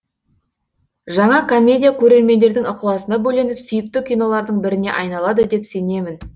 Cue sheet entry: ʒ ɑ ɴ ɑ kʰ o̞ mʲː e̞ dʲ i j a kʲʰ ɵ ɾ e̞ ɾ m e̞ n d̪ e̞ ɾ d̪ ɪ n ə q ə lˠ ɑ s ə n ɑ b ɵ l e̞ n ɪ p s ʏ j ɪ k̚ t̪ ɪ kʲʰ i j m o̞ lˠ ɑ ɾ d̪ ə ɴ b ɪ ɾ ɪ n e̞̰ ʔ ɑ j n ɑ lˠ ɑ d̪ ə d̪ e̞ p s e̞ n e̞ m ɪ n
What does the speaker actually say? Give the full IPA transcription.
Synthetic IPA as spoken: ʒ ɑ ɴ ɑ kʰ o̞ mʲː e̞ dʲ i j a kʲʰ ɵ ɾ e̞ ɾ m e̞ n d̪ e̞ ɾ d̪ ɪ ŋ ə q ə lˠ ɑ s ə n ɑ b ɵ l e̞ n ɪ p s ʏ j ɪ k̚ t̪ ɪ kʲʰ i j n o̞ lˠ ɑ ɾ d̪ ə ɴ b ɪ ɾ ɪ n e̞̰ ʔ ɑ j n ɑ lˠ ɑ d̪ ə d̪ e̞ p s e̞ n e̞ m ɪ n